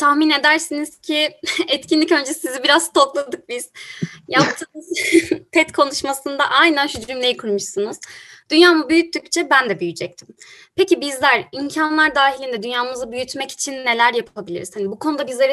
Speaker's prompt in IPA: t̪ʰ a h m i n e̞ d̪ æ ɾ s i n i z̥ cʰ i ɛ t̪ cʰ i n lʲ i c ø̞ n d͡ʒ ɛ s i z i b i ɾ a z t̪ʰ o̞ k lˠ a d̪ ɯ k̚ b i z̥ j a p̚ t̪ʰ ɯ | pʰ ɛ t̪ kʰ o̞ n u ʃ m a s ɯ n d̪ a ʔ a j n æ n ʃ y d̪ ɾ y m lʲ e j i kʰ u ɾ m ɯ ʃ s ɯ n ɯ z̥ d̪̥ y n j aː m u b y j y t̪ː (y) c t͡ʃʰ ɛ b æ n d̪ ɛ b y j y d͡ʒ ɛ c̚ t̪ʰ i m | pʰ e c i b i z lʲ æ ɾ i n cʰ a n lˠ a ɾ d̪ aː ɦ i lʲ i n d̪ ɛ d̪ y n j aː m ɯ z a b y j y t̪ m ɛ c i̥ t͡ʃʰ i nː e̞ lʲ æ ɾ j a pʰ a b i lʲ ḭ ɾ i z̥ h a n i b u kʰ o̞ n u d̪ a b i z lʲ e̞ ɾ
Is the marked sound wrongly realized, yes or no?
no